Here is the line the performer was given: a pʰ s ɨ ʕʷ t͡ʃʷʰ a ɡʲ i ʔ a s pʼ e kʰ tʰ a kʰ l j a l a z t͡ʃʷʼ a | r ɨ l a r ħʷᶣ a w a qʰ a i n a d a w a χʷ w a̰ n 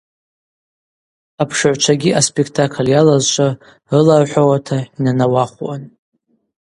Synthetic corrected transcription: a pʰ ʂ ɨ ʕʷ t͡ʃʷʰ a ɡʲ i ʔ a s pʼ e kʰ tʰ a kʰ l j a l a z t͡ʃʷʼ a | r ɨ l a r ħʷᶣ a w a tʰ a i n a n a w a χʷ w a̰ n